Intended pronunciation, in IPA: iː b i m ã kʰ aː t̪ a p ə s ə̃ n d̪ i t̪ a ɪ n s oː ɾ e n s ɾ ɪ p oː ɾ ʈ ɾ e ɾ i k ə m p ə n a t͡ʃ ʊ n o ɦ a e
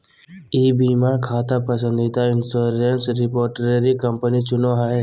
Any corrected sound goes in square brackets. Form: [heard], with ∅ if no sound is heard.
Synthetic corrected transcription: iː b i m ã kʰ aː t̪ a p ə s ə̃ n d̪ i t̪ a ɪ n s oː ɾ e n s ɾ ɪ p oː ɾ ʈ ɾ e ɾ i k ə m p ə n [i] t͡ʃ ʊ n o ɦ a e